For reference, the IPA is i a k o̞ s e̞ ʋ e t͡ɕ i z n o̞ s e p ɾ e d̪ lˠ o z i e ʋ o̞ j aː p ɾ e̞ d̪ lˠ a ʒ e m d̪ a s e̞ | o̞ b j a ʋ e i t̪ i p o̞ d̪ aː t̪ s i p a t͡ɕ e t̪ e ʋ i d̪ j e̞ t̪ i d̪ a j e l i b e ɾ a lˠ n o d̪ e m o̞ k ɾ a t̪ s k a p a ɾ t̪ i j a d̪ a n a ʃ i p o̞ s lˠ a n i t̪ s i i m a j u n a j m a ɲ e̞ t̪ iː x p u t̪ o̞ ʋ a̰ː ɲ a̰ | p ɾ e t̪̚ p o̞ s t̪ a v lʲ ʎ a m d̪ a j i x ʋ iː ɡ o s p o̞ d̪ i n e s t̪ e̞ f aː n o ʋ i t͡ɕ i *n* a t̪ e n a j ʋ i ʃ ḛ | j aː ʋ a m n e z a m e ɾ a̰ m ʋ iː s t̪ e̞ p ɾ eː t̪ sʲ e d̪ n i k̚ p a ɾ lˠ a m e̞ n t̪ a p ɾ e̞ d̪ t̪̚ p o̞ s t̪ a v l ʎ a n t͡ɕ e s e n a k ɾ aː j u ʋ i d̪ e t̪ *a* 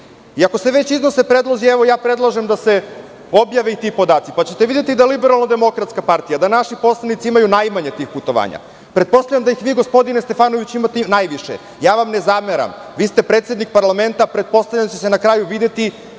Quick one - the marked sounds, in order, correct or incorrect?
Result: incorrect: m, incorrect: i

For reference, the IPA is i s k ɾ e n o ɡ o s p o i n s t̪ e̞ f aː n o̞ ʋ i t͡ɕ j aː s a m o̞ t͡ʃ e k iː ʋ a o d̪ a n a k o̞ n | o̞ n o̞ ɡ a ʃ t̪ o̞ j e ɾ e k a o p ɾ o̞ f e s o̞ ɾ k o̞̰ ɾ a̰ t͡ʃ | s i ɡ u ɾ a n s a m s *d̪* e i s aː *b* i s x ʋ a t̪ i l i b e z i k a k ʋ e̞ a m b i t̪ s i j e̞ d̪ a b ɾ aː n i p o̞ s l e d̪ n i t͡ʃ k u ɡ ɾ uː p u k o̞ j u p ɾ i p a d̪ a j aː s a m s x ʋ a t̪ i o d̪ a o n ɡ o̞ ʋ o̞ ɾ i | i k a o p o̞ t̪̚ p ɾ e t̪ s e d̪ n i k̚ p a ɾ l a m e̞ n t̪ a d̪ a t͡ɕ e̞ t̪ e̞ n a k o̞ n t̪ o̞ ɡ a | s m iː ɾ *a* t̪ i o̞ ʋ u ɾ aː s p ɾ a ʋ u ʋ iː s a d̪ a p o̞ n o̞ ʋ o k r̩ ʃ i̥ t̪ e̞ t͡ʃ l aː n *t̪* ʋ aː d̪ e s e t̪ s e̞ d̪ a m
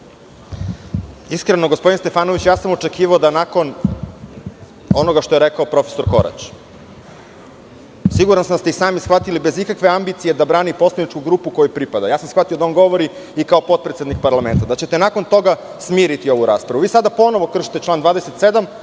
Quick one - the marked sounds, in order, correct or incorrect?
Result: incorrect: t̪, incorrect: m, incorrect: i, incorrect: d̪

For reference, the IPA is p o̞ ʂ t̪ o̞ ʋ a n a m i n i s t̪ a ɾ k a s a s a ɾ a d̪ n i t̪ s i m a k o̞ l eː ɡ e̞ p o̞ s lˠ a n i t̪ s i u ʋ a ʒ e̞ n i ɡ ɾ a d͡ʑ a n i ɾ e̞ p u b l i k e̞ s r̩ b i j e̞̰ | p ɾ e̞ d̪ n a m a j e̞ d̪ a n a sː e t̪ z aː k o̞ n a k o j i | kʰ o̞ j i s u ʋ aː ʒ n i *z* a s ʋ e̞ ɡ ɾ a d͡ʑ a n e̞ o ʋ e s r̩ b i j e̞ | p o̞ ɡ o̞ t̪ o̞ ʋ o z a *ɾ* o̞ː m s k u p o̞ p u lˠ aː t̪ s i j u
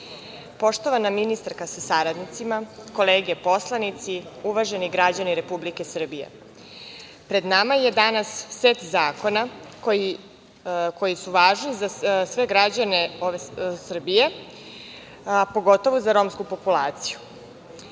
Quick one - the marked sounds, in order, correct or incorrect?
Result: correct, correct

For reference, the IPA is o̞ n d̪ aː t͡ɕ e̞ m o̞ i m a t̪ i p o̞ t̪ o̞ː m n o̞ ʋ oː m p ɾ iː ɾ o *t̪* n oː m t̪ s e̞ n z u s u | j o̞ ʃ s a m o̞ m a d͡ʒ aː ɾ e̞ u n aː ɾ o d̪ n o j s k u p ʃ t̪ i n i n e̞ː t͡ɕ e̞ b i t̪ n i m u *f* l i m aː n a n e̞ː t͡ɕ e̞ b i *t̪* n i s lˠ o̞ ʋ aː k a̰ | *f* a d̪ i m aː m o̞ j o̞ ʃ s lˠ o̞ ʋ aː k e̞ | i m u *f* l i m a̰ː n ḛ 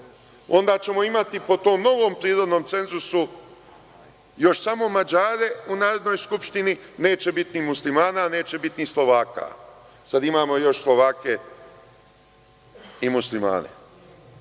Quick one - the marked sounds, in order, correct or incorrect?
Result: incorrect: d̪, incorrect: s, correct, incorrect: s, incorrect: s

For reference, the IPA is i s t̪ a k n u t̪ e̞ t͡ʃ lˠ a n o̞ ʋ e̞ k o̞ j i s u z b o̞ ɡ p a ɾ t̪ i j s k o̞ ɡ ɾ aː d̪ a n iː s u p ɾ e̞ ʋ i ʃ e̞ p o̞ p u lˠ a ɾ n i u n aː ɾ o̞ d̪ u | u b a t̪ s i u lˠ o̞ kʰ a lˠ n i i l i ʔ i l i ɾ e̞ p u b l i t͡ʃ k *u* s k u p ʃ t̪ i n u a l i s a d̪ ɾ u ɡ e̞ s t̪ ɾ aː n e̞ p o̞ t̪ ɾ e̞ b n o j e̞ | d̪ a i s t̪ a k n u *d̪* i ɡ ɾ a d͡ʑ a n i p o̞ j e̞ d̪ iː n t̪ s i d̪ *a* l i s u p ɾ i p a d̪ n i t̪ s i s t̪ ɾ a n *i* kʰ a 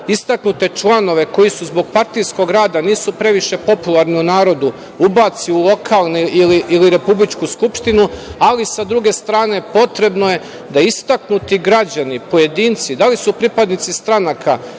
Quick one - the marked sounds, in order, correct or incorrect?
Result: correct, incorrect: t̪, correct, incorrect: a

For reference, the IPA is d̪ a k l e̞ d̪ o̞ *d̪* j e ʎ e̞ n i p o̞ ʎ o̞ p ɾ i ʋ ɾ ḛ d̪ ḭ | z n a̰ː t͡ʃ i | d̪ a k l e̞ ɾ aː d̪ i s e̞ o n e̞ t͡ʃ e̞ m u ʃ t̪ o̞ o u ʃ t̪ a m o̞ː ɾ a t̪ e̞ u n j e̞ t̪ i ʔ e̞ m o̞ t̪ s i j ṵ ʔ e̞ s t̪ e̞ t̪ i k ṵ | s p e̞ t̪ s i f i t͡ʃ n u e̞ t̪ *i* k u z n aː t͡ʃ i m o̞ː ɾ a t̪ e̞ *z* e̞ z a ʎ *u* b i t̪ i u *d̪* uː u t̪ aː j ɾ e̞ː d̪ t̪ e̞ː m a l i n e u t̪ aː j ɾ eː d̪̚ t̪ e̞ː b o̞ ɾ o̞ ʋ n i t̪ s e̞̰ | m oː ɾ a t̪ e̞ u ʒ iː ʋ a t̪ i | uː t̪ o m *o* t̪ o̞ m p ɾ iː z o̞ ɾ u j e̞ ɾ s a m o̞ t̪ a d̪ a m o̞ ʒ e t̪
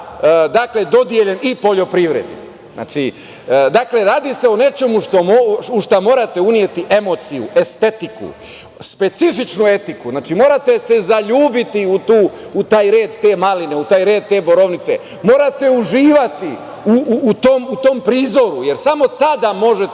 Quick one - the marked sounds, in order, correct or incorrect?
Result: correct, correct, incorrect: s, incorrect: uː, incorrect: t̪, incorrect: u

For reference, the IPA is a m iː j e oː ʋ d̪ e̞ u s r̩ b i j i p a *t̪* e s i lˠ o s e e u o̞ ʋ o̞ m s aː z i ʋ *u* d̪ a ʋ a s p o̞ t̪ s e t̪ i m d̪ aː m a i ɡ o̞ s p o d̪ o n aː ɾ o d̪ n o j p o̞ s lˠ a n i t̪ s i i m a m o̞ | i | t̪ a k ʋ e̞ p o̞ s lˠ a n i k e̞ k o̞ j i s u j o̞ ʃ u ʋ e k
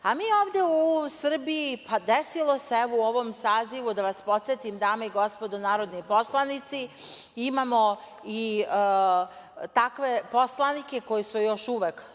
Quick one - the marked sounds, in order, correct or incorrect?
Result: incorrect: d̪, correct

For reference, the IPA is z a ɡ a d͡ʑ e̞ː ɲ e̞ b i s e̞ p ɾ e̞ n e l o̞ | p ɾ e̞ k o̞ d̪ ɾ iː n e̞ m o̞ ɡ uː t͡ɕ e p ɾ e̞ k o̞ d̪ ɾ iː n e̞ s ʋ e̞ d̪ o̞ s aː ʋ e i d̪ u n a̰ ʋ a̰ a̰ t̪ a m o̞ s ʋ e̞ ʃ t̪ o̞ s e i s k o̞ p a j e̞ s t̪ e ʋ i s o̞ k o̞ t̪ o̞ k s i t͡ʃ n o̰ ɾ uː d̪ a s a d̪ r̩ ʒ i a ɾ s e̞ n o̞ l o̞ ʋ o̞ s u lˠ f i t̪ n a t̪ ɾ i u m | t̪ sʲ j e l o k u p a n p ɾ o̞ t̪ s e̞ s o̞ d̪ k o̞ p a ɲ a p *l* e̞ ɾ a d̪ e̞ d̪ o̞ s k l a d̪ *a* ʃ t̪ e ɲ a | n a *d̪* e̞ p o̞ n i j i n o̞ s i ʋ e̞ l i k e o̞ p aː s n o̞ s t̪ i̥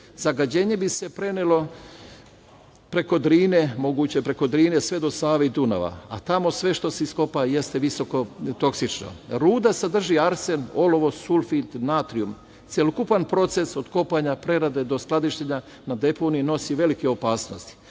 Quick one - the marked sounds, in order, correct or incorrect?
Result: incorrect: ɾ, incorrect: i, correct

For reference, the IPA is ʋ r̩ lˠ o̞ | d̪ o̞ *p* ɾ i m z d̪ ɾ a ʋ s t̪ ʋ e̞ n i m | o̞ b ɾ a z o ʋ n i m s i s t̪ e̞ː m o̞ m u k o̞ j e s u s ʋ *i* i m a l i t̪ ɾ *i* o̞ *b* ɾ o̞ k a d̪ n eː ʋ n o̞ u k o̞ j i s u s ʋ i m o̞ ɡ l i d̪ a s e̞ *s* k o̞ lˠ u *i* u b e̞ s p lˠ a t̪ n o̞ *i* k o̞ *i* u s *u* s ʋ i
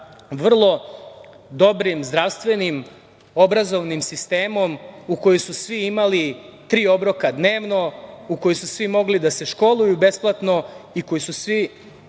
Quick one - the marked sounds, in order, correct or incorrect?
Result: incorrect: b, correct, incorrect: iː, correct, incorrect: ʃ, incorrect: j, correct, incorrect: j, correct

